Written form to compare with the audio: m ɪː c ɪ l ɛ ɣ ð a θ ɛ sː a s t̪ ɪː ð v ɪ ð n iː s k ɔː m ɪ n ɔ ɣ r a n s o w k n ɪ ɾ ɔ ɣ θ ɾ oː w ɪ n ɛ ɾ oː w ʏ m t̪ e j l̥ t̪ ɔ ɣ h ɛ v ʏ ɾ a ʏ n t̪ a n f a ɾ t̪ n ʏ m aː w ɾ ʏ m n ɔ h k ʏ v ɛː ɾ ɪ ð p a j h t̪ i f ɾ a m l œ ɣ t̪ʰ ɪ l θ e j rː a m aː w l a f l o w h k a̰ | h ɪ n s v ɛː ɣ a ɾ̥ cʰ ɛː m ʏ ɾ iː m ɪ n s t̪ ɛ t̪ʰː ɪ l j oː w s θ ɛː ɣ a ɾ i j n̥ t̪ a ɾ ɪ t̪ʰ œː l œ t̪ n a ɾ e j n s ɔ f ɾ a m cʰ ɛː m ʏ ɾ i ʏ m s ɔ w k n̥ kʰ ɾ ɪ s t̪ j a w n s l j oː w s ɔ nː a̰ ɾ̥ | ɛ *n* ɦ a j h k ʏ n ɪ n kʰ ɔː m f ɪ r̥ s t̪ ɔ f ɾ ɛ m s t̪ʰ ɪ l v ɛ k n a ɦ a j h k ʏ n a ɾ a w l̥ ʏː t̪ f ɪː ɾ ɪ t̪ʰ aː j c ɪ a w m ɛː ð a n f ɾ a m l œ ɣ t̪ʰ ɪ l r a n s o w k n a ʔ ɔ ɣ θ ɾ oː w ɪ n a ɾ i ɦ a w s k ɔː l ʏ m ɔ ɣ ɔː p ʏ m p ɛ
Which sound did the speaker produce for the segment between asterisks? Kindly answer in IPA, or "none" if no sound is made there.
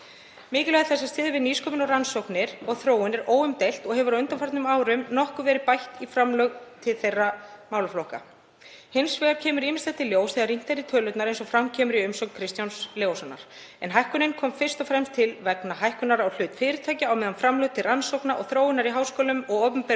n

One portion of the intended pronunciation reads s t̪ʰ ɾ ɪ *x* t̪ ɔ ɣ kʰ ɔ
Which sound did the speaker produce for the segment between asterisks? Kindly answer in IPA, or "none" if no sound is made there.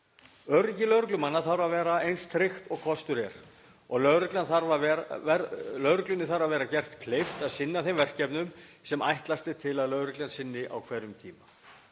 x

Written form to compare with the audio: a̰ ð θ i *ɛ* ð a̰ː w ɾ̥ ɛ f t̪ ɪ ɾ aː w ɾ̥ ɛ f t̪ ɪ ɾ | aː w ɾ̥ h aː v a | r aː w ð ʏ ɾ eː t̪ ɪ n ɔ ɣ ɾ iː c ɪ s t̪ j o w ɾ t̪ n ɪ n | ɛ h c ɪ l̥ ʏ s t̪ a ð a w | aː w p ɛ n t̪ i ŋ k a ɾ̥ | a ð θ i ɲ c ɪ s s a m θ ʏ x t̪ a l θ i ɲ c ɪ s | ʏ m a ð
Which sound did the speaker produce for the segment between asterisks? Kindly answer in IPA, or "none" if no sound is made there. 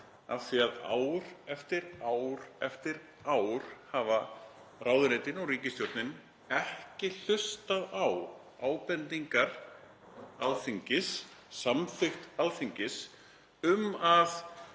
a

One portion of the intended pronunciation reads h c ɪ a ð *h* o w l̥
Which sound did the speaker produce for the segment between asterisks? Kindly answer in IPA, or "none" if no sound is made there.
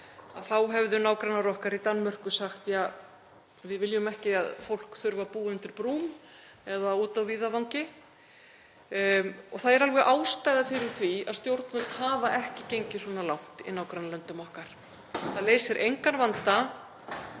f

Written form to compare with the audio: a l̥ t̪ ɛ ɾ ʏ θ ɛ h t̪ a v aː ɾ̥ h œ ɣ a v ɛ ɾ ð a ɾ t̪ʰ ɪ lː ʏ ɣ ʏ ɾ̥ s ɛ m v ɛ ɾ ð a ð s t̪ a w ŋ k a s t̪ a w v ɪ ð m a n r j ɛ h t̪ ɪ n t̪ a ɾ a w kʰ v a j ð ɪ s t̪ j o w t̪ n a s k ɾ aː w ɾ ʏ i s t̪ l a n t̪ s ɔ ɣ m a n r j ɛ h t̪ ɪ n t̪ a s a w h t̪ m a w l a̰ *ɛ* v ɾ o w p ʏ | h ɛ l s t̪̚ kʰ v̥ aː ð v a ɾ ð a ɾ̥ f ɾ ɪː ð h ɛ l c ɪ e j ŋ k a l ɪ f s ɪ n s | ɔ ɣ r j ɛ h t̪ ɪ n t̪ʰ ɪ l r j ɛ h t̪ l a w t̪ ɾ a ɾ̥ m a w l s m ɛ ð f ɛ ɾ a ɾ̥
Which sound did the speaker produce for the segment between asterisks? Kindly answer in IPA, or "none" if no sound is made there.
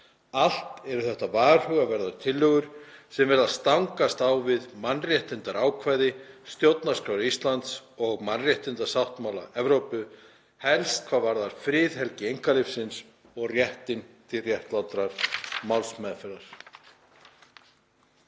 ɛ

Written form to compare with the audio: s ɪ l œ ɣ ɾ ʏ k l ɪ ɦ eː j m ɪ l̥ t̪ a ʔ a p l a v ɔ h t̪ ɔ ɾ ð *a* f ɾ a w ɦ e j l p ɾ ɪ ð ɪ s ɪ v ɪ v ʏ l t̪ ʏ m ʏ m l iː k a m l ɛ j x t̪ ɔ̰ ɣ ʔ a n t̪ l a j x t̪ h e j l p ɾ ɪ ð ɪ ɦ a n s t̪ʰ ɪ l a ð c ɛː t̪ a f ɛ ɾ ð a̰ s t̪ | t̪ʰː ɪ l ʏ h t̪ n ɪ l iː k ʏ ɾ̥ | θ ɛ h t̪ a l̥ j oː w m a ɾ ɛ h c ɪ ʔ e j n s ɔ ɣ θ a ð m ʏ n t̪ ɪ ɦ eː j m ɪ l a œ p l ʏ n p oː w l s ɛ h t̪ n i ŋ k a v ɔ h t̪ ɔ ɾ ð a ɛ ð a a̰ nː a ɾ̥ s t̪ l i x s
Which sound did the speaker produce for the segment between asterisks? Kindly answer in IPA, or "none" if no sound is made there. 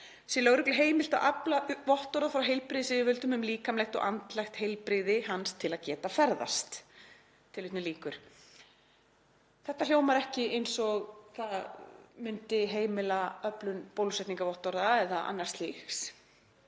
a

